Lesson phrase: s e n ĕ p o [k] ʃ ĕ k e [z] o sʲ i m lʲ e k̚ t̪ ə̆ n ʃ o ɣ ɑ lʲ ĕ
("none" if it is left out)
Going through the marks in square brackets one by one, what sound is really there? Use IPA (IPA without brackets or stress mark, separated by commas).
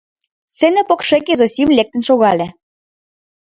k, z